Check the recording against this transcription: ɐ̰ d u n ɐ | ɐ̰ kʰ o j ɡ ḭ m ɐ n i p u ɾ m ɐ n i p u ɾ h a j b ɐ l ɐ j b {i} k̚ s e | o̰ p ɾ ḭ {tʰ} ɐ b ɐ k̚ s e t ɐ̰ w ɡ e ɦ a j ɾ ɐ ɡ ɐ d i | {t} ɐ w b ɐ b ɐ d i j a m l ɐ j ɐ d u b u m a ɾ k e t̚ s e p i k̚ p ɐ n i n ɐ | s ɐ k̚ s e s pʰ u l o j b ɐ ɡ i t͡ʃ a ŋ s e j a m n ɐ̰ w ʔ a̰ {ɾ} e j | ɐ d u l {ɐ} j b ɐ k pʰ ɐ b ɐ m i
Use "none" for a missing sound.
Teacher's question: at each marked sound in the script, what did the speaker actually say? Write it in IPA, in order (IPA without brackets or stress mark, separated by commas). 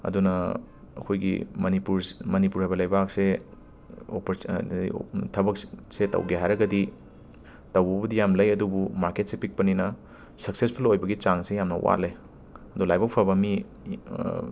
a, tʰ, t, l, a